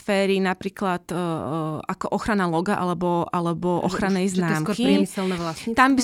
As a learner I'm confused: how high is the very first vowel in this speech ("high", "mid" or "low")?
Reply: mid